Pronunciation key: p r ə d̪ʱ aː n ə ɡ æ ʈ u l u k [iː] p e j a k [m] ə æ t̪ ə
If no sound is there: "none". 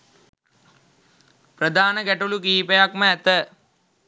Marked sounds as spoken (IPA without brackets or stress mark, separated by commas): iː, m